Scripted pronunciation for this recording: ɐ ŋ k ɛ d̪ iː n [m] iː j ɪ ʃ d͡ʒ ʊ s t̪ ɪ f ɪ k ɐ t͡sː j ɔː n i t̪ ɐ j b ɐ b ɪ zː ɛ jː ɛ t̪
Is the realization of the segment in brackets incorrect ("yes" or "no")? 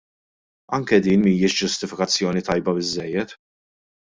no